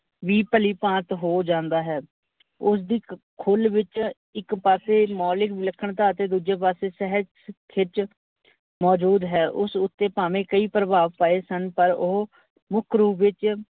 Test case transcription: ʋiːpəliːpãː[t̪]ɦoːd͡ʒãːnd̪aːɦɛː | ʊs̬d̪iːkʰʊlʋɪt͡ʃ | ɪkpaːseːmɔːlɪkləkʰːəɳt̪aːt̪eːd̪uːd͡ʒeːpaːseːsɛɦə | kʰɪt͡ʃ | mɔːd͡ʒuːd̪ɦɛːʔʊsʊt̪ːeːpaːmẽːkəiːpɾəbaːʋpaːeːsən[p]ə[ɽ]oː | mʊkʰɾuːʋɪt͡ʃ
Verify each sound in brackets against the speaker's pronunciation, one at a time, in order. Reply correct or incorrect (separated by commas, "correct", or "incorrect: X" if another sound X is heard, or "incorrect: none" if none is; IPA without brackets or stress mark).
correct, correct, incorrect: ɾ